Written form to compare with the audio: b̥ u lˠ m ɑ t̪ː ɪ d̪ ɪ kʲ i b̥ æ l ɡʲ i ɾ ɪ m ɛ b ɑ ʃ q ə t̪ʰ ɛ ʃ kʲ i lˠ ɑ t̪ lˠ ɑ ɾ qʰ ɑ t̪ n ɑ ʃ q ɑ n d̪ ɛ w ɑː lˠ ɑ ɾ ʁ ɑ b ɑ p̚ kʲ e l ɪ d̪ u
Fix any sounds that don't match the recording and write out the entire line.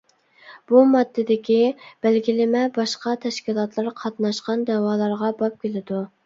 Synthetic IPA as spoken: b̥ u m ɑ d̪ː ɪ d̪ ɪ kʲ i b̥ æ l ɡʲ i l ɪ m ɛ b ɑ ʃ q ɑ t̪ʰ ɛ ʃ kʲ i lˠ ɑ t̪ lˠ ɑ ɾ qʰ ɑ t̪ n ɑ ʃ q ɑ n d̪ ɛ w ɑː lˠ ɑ ɾ ʁ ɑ b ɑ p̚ kʲ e l ɪ d̪ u